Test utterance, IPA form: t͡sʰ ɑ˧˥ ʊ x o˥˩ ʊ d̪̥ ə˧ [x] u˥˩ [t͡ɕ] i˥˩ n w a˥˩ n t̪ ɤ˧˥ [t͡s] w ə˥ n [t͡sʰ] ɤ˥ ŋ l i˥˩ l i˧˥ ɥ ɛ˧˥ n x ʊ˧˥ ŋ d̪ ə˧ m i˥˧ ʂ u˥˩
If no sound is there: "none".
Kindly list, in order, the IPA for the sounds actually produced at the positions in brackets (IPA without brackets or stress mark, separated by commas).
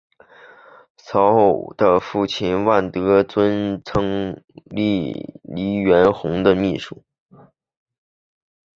f, t͡ɕʰ, t͡s, t͡sʰ